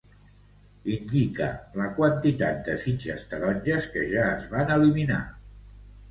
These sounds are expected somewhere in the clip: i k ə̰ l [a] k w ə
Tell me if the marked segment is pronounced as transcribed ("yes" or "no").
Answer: no